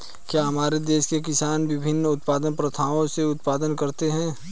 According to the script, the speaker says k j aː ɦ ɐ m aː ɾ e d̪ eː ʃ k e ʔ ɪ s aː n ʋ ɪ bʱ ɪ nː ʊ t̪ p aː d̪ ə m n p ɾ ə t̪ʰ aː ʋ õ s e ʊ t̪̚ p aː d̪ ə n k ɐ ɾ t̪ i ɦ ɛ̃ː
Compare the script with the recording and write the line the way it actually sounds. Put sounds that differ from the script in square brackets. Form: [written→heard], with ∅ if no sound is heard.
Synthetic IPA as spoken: k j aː ɦ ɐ m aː ɾ e d̪ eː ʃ k e [ʔ→k] ɪ s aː n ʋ ɪ bʱ ɪ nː ʊ t̪ p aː d̪ ə [m→∅] n p ɾ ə t̪ʰ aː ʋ õ s e ʊ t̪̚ p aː d̪ ə n k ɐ ɾ t̪ [i→e] ɦ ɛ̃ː